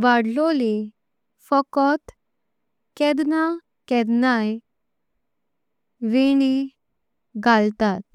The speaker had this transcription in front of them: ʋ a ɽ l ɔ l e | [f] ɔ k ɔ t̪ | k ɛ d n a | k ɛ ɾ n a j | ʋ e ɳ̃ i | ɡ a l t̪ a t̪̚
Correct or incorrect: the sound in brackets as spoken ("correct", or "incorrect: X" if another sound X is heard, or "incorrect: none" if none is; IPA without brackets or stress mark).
correct